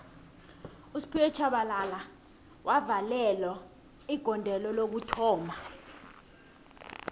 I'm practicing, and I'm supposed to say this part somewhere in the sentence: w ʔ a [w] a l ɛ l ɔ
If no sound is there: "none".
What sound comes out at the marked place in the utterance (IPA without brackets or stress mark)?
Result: v